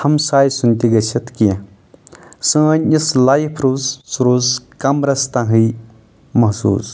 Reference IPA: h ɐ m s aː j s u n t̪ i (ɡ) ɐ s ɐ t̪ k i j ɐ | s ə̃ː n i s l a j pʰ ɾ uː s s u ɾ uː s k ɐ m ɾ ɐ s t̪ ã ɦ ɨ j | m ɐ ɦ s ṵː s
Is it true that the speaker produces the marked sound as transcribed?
yes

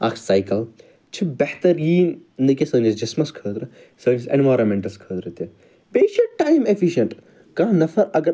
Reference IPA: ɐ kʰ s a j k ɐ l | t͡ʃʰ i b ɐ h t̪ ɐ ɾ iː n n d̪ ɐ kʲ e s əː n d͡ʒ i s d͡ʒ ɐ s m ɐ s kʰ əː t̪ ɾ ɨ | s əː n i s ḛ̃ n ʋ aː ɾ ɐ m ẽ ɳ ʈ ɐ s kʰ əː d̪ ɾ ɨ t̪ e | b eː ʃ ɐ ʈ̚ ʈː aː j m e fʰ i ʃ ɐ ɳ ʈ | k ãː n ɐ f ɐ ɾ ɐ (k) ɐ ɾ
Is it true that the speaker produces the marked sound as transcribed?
no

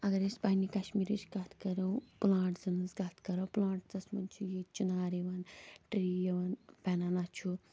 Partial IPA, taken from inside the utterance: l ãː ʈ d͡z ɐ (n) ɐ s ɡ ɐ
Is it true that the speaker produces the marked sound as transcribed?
yes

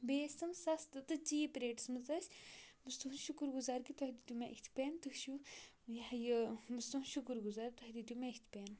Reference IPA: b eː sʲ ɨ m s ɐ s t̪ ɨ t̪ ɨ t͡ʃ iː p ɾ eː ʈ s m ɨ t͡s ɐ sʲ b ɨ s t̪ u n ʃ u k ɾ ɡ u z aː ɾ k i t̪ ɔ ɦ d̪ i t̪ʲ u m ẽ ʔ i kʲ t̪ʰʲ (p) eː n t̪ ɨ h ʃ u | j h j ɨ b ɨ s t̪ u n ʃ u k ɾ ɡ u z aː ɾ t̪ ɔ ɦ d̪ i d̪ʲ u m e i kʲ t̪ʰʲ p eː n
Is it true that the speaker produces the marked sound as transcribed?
yes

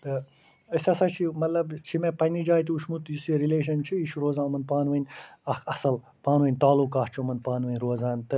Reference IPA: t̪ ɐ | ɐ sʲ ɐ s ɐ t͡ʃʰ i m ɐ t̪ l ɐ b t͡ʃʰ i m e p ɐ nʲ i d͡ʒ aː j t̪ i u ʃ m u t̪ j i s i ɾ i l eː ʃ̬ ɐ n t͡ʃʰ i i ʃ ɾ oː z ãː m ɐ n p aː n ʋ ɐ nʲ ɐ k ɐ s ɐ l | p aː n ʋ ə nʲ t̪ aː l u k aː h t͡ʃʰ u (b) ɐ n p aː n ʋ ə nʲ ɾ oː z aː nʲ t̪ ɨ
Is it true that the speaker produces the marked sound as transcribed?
no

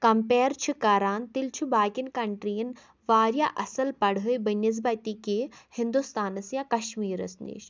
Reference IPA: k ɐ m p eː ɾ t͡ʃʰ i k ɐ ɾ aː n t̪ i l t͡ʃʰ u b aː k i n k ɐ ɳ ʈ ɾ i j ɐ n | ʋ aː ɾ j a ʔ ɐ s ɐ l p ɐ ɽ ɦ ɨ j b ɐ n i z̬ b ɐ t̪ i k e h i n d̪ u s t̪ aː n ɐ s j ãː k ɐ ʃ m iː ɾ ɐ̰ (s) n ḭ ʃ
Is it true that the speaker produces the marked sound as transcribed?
yes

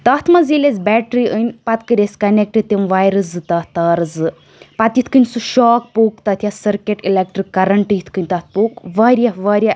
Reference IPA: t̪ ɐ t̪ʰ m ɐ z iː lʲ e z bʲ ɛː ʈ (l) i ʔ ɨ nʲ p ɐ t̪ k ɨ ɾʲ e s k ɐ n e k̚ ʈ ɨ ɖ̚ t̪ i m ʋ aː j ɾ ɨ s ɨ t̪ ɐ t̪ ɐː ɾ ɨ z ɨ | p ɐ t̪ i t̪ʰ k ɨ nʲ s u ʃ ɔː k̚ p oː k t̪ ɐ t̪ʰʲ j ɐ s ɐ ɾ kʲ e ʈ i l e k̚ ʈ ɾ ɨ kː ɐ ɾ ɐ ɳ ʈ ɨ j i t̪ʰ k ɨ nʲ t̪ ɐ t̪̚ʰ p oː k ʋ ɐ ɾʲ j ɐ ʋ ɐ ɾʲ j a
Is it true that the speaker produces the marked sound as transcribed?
no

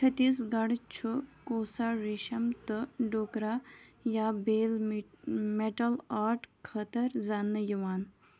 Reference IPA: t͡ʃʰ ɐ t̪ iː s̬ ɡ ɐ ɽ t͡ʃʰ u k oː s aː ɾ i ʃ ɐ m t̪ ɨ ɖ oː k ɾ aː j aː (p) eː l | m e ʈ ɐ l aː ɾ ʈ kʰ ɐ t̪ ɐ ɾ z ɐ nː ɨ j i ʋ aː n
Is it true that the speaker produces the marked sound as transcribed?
no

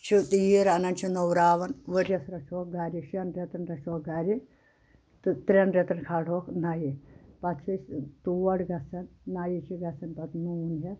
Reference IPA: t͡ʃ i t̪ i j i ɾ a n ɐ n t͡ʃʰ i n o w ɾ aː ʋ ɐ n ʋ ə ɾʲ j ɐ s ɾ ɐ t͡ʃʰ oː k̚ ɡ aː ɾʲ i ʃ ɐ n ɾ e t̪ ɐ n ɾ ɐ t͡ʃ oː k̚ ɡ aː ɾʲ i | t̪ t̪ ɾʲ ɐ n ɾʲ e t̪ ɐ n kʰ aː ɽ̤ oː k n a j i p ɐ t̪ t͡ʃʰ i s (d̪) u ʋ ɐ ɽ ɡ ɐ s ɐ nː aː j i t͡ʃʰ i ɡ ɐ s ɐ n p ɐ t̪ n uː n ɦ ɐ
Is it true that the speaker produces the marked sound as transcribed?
no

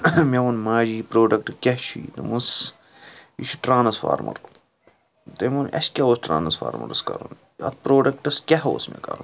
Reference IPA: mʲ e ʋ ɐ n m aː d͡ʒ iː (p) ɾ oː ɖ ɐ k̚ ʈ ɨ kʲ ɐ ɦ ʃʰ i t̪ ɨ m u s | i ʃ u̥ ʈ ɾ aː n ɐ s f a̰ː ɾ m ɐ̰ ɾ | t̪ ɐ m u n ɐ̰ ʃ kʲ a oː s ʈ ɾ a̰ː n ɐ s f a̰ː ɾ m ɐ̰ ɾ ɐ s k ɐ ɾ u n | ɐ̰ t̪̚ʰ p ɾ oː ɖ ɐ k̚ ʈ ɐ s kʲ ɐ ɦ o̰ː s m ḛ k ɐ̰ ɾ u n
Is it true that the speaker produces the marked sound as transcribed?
yes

